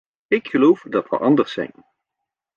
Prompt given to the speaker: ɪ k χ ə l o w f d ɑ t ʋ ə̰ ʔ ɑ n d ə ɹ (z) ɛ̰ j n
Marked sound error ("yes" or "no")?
yes